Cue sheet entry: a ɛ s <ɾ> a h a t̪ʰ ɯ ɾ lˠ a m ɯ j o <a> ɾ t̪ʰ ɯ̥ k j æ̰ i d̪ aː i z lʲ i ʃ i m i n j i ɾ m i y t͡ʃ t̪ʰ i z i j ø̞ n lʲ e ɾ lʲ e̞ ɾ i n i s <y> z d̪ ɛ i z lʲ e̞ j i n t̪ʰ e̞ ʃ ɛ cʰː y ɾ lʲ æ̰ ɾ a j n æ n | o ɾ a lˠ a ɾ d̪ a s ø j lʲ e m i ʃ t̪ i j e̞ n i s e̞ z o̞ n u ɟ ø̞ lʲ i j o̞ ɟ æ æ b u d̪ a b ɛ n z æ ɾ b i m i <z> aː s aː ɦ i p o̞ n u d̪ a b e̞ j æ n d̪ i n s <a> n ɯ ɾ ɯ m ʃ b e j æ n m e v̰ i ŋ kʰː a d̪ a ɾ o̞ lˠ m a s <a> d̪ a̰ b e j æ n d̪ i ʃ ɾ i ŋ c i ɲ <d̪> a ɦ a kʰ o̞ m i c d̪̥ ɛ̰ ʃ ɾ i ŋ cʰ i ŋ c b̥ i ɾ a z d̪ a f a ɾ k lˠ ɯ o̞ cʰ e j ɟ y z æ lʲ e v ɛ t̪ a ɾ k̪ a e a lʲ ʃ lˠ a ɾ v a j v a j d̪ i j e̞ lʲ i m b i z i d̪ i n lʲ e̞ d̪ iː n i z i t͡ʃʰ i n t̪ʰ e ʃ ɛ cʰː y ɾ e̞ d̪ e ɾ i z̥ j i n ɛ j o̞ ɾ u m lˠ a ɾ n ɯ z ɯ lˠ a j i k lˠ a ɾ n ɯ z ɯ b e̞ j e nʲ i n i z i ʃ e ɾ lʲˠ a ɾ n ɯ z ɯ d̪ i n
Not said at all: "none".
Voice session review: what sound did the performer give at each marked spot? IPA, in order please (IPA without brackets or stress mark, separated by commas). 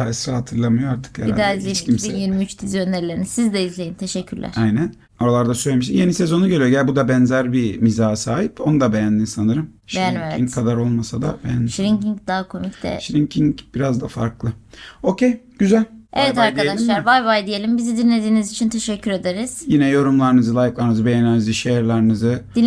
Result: ɾ, a, i, z, a, a, d̪